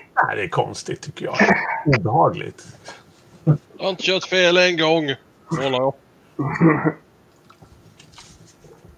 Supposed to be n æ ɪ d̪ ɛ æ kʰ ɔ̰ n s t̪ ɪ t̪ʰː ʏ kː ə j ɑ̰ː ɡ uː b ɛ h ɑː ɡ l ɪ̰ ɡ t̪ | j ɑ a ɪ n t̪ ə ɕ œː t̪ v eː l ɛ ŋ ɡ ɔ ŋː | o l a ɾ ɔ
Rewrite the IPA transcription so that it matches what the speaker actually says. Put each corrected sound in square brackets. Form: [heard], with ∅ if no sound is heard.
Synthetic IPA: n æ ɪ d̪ ɛ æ kʰ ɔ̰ n s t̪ ɪ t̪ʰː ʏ kː ə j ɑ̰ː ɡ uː b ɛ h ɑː ɡ l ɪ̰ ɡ t̪ | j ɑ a ɪ n t̪ ə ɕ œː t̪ [f] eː l ɛ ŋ ɡ ɔ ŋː | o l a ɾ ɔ